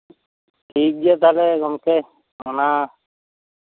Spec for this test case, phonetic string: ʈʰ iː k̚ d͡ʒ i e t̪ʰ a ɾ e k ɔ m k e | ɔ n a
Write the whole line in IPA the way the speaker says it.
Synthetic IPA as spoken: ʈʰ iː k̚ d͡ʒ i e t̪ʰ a l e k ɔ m k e | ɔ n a

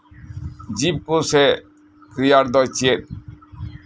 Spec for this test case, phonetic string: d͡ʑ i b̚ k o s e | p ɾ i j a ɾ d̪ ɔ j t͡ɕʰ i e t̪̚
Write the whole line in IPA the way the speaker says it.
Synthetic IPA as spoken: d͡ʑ i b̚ k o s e | k ɾ i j a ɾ d̪ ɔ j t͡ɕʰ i e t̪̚

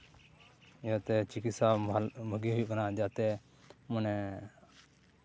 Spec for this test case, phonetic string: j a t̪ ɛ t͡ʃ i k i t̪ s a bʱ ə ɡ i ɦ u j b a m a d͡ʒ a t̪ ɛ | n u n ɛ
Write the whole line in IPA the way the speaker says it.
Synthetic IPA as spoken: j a t̪ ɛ t͡ʃ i k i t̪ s a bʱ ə ɡ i ɦ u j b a n a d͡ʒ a t̪ ɛ | m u n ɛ

